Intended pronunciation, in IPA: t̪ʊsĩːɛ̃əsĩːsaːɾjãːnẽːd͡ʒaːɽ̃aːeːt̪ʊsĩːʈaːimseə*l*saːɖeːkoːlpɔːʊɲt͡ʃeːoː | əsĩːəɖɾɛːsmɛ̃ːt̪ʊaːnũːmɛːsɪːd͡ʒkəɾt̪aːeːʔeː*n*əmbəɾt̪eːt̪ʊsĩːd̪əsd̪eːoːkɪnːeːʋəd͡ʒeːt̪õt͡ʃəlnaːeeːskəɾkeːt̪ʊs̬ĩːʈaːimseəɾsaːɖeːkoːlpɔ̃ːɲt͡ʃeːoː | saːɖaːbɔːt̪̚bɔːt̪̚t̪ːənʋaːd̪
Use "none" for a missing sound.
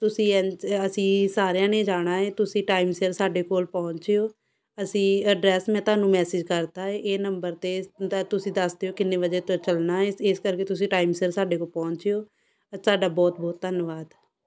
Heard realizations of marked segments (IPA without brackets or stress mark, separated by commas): ɾ, n